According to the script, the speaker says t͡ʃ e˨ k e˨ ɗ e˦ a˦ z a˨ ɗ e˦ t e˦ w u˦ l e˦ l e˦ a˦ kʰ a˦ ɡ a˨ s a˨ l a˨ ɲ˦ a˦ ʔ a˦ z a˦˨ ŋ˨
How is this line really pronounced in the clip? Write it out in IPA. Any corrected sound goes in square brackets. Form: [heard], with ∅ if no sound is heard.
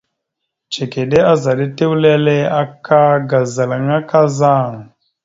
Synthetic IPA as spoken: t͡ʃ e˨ k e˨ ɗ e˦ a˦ z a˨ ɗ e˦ t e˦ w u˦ l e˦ l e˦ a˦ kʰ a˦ ɡ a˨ [z] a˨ l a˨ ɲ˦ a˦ [k] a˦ z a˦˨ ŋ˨